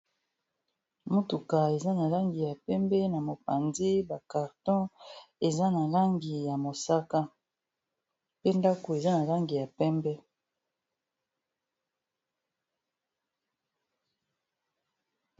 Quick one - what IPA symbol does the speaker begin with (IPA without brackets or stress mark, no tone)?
m